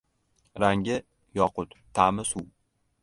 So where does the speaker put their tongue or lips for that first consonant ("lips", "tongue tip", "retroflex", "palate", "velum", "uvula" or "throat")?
tongue tip